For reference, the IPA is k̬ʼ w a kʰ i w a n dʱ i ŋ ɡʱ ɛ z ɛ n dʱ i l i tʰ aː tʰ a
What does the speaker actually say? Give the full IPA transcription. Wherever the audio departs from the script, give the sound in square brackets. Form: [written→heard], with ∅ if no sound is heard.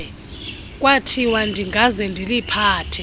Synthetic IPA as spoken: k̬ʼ w a [kʰ→tʰ] i w a n dʱ i ŋ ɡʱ [ɛ→a] z ɛ n dʱ i l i [tʰ→pʰ] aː tʰ [a→ɛ]